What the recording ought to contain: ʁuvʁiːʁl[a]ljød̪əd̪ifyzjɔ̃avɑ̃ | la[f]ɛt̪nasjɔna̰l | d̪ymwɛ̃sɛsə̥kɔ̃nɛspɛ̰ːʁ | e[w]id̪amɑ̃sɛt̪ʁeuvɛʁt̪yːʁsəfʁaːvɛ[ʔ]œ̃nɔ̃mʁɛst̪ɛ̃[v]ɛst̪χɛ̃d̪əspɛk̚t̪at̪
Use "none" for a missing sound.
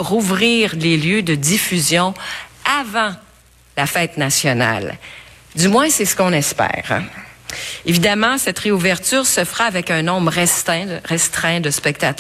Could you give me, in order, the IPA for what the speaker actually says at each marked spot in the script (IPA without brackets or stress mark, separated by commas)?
e, f, v, k, ʁ